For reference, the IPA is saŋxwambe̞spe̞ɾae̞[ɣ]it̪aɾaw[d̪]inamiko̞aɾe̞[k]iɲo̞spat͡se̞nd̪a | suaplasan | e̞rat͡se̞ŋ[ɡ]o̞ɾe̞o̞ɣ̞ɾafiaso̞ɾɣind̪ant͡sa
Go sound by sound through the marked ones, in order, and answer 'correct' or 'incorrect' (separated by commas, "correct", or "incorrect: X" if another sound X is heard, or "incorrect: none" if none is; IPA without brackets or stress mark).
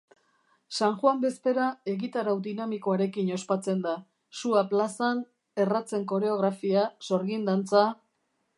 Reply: correct, correct, correct, incorrect: k